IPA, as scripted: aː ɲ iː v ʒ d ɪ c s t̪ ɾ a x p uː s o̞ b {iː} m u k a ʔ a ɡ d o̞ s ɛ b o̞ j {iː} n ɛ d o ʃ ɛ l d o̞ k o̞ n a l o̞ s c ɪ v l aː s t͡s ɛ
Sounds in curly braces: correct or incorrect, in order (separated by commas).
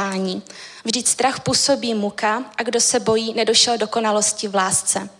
correct, correct